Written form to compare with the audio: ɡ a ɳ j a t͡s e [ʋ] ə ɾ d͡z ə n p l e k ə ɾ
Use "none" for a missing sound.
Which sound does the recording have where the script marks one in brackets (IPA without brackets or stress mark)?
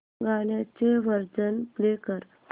ʋ